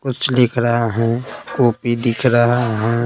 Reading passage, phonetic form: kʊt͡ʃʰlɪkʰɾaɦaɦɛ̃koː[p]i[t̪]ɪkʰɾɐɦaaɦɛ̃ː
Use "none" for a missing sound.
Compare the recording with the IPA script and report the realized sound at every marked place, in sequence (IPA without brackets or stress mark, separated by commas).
p, d̪